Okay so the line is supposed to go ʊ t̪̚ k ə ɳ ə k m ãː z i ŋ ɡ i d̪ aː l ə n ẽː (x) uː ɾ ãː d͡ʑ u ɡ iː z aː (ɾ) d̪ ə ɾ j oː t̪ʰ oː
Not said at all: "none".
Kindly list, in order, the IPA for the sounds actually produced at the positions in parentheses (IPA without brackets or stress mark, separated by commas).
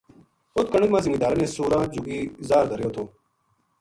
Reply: s, ɾ